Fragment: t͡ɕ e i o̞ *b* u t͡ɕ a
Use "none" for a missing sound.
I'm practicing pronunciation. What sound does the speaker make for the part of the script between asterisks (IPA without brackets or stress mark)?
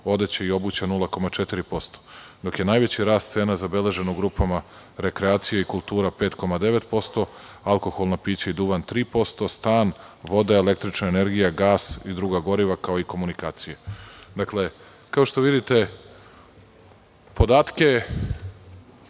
b